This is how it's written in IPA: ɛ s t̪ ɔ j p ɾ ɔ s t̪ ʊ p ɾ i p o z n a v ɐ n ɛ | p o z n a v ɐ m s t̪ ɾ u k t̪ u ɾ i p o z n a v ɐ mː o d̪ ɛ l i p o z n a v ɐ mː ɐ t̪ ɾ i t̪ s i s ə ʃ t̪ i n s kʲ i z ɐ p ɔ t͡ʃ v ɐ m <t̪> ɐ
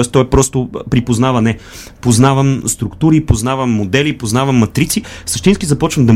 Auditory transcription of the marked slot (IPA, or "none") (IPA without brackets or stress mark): d̪